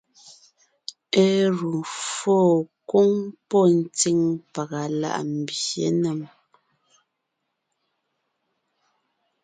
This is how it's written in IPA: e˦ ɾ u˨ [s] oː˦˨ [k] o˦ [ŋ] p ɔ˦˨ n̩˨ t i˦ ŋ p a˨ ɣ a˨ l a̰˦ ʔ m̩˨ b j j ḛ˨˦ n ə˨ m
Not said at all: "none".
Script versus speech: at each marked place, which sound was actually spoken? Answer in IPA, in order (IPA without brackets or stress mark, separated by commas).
f, k, ŋ